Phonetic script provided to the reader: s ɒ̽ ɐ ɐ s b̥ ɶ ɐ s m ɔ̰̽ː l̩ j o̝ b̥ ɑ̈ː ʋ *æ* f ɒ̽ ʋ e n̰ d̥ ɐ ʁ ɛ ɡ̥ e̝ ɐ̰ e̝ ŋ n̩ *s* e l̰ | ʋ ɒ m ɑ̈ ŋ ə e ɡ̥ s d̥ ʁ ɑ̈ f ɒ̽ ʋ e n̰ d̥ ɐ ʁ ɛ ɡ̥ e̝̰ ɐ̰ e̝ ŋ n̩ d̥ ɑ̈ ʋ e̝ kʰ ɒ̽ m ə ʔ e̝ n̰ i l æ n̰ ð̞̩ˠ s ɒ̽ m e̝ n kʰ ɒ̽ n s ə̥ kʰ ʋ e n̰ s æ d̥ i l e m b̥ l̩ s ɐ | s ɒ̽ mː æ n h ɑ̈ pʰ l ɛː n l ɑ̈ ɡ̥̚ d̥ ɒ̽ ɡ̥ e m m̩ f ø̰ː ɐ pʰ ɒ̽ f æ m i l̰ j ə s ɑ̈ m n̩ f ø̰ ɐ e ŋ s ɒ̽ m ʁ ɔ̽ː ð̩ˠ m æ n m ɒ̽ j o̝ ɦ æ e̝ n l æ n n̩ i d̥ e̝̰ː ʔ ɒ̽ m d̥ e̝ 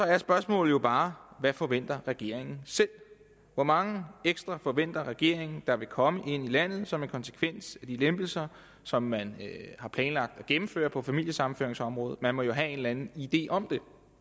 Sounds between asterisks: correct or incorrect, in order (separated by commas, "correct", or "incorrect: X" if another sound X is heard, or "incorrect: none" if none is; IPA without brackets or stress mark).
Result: correct, correct